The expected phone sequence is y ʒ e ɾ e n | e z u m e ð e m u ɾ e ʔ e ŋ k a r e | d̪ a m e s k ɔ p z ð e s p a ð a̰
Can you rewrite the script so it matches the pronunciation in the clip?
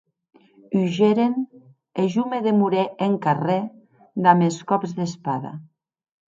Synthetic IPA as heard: y ʒ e ɾ e n | e ʒ u m e ð e m u ɾ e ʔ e ŋ k a r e | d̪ a m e s k ɔ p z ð e s p a ð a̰